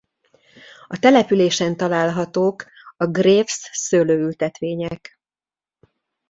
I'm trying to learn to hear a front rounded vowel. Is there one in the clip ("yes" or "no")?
yes